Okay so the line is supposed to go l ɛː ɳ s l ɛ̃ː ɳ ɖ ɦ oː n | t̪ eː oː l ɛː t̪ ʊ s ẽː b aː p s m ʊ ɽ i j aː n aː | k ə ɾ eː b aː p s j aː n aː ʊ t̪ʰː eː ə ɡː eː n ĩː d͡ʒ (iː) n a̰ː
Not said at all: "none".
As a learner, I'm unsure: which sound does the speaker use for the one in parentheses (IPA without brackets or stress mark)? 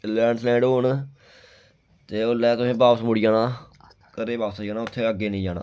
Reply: aː